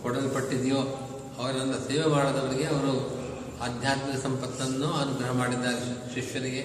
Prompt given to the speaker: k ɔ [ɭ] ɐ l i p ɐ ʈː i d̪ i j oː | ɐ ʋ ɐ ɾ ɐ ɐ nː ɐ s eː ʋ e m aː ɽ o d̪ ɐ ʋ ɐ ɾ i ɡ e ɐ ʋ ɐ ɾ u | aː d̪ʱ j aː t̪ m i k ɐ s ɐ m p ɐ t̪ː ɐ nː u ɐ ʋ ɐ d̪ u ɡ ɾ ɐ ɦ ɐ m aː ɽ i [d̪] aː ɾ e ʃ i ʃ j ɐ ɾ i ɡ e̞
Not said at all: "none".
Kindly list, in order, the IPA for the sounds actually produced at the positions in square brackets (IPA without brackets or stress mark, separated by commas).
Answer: ɽ, d̪ː